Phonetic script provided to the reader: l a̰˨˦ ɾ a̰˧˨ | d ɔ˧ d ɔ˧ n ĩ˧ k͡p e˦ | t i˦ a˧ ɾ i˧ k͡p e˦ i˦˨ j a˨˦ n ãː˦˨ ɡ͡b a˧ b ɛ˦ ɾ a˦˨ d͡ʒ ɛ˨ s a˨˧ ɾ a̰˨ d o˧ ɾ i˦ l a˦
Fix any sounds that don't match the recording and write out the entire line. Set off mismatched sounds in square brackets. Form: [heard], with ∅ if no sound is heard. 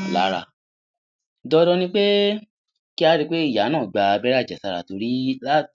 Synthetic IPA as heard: l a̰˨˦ ɾ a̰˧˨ | d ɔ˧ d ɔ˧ n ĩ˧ k͡p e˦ | [k] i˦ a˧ ɾ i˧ k͡p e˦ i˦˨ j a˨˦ n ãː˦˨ ɡ͡b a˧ b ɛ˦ ɾ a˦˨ d͡ʒ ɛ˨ s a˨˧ ɾ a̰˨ [t] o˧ ɾ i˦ l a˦